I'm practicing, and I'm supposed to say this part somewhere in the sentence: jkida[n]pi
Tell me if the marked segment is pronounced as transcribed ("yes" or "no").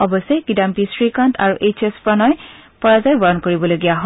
no